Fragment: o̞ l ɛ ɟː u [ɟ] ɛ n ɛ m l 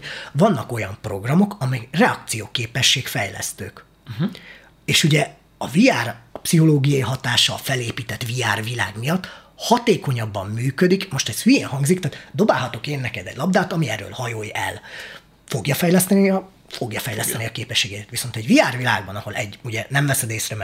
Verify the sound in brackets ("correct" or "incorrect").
correct